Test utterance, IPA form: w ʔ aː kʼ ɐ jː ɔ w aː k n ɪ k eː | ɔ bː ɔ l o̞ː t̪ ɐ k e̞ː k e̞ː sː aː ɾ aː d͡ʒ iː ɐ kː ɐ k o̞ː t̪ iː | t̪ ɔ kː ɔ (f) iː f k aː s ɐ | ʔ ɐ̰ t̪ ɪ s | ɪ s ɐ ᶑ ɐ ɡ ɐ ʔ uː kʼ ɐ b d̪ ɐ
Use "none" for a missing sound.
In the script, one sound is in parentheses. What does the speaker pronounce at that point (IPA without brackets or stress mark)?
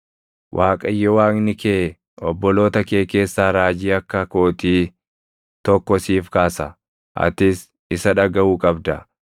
s